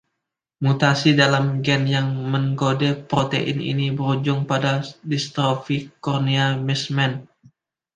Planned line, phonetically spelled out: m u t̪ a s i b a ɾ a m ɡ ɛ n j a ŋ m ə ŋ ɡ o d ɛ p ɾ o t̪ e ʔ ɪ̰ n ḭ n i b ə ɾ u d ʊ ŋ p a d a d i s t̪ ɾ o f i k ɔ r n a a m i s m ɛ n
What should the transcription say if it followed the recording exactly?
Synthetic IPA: m u t̪ a s i d a l a m ɡ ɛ n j a ŋ m ə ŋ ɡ o d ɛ p ɾ o t̪ e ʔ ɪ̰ n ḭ n i b ə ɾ u d͡ʒ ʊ ŋ p a d a d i s t̪ ɾ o f i k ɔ r n i a m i s m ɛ n